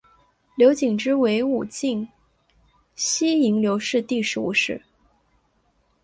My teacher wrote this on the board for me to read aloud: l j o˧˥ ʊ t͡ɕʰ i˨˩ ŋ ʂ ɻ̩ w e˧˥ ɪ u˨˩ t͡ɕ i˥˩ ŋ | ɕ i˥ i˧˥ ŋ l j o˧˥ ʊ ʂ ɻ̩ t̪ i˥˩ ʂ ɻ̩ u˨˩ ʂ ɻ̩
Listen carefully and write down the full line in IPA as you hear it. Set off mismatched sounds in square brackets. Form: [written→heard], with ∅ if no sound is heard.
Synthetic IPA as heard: l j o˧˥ ʊ [t͡ɕʰ→t͡ɕ] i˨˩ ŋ [ʂ→ʈ͡ʂ] ɻ̩ w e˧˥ ɪ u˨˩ t͡ɕ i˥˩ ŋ | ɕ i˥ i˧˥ ŋ l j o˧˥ ʊ ʂ ɻ̩ t̪ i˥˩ ʂ ɻ̩ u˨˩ ʂ ɻ̩